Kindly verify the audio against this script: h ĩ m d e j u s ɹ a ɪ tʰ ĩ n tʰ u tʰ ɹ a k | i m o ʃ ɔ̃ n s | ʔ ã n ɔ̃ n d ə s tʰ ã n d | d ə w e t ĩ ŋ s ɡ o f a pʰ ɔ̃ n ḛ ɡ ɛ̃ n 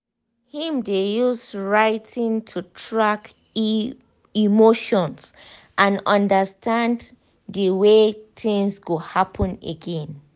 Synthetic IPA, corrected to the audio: h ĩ m d e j u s ɹ a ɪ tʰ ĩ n tʰ u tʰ ɹ a k | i m o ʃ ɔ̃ n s | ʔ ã n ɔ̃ n d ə s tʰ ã n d | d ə w e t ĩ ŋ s ɡ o h a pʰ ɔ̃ n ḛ ɡ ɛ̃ n